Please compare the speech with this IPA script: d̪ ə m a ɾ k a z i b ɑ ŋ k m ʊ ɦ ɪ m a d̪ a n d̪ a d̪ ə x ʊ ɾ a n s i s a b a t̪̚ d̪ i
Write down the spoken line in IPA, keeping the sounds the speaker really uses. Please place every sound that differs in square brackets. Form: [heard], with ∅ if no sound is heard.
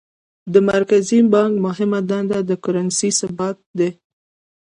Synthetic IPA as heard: d̪ ə m a ɾ k a z i b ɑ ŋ k m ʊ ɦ ɪ m a d̪ a n d̪ a d̪ ə [k] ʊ ɾ a n s i s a b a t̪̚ d̪ [e]